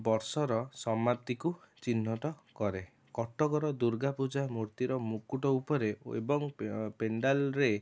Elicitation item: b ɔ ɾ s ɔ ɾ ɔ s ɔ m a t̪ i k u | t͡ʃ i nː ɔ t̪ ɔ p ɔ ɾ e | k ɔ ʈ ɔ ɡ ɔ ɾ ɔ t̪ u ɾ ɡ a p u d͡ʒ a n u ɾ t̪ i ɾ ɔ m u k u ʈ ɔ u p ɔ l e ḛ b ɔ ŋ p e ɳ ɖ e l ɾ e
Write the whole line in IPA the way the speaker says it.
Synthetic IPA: b ɔ ɾ s ɔ ɾ ɔ s ɔ m a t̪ i k u | t͡ʃ i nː ɔ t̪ ɔ k ɔ ɾ e | k ɔ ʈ ɔ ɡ ɔ ɾ ɔ d̪ u ɾ ɡ a p u d͡ʒ a m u ɾ t̪ i ɾ ɔ m u k u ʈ ɔ u p ɔ ɾ e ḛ b ɔ ŋ p e ɳ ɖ a l ɾ e